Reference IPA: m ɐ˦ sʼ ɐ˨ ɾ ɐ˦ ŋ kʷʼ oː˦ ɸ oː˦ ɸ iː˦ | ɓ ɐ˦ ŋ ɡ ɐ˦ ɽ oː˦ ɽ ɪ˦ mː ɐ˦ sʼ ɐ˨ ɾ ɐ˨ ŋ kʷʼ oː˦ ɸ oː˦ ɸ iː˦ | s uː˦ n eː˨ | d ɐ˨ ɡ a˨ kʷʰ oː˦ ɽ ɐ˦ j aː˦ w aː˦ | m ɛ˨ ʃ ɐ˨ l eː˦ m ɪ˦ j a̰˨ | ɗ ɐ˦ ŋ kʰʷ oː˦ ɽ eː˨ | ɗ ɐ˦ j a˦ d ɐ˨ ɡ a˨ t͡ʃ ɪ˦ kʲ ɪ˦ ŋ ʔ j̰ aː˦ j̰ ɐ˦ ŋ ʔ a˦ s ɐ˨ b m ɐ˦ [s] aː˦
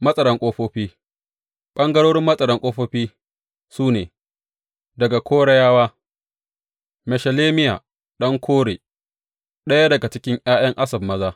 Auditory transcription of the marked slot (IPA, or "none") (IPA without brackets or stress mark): z